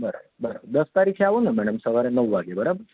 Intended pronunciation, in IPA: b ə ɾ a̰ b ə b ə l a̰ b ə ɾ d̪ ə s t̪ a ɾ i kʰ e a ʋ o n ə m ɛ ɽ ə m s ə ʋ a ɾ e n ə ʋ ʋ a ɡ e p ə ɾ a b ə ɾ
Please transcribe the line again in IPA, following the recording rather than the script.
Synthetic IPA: b ə ɾ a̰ b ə b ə ɾ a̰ b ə ɾ d̪ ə s t̪ a ɾ i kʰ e a ʋ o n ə m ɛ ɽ ə m s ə ʋ a ɾ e n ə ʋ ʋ a ɡ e b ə ɾ a b ə ɾ